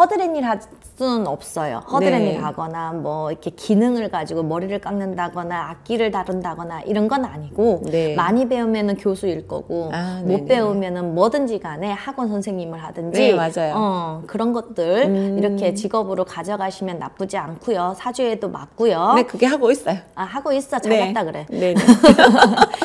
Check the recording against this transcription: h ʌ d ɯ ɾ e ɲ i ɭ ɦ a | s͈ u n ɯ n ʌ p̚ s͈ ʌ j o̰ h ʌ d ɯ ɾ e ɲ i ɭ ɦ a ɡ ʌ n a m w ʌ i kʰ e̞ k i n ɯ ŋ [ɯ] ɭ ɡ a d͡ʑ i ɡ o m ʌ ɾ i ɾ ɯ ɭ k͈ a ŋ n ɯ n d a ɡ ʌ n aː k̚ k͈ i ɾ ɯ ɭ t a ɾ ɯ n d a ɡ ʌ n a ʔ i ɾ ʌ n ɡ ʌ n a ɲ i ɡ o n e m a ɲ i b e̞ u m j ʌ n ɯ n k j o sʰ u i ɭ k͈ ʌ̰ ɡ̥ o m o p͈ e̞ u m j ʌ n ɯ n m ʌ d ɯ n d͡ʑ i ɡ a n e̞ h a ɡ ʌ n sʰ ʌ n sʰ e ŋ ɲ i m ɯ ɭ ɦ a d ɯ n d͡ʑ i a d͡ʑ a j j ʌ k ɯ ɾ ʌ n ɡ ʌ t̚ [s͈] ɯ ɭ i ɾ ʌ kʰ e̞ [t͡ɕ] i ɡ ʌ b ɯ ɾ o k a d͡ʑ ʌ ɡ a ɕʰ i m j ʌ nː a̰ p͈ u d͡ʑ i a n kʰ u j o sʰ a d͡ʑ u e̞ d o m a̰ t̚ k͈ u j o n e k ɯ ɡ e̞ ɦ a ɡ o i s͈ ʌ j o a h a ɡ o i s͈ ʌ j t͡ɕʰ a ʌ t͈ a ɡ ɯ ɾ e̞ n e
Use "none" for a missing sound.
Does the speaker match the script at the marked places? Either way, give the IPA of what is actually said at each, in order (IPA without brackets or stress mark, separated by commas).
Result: ɯ, t͈, t͡ɕ